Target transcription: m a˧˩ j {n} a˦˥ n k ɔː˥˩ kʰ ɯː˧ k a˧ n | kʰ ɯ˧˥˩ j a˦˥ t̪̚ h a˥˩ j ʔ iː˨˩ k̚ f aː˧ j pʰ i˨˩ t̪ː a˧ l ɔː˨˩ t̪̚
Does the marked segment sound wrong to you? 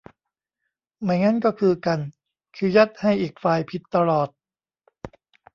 yes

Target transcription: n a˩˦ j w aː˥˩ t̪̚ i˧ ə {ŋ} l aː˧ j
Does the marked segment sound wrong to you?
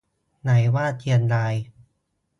yes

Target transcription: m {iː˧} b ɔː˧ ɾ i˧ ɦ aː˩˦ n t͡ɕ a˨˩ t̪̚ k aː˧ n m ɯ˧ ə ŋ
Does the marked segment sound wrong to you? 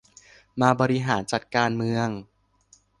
yes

